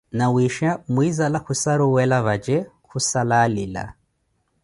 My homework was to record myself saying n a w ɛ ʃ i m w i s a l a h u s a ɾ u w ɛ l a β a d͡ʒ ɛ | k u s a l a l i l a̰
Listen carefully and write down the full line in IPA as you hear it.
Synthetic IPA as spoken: n a w i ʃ a m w i z a l a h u s a ɾ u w ɛ l a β a d͡ʒ ɛ | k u s a l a l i l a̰